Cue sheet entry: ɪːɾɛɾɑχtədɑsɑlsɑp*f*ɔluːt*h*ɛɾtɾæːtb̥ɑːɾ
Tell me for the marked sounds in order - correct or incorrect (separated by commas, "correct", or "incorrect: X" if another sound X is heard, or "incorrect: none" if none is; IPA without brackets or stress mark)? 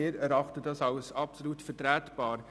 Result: incorrect: s, incorrect: f